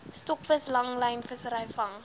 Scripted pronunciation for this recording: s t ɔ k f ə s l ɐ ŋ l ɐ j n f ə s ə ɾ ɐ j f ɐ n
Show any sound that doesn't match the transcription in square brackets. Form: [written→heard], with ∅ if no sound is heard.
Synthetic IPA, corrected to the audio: s t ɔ k f ə s l ɐ ŋ l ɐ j n f ə s ə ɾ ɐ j f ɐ [n→ŋ]